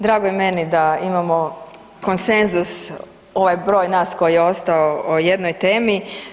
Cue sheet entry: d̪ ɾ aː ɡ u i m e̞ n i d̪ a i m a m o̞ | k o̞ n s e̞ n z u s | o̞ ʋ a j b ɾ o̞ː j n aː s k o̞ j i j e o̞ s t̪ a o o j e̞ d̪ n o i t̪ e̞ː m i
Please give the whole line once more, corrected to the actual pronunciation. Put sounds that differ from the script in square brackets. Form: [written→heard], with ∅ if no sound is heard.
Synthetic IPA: d̪ ɾ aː ɡ [u→o] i m e̞ n i d̪ a i m a m o̞ | k o̞ n s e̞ n z u s | o̞ ʋ a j b ɾ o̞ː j n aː s k o̞ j i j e o̞ s t̪ a o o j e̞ d̪ n o [i→j] t̪ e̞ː m i